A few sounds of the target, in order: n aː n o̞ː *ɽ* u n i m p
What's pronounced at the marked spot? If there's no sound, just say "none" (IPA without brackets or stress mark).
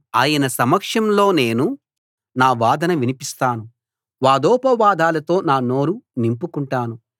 ɾ